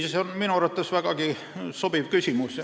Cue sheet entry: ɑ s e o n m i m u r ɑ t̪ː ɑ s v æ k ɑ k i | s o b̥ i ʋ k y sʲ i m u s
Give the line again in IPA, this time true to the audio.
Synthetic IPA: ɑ s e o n m i n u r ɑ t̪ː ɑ s ʋ æ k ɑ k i | s o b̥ i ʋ k y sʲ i m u s